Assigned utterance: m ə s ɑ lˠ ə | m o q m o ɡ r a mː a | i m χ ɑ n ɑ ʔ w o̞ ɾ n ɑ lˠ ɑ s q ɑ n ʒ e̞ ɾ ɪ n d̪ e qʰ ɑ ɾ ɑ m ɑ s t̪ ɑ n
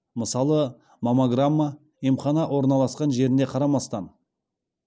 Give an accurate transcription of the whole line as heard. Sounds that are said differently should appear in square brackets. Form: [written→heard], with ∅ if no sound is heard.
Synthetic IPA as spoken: m ə s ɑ lˠ ə | m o [q→∅] m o ɡ r a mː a | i m χ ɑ n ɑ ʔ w o̞ ɾ n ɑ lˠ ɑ s q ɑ n ʒ e̞ ɾ ɪ n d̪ e qʰ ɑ ɾ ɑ m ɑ s t̪ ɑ n